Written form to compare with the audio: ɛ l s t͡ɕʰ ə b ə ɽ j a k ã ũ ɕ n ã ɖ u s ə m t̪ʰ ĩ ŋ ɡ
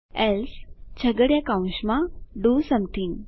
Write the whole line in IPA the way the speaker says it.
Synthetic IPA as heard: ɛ l s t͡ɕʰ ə ɡ ə ɽ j a k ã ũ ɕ m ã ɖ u s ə m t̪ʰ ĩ ŋ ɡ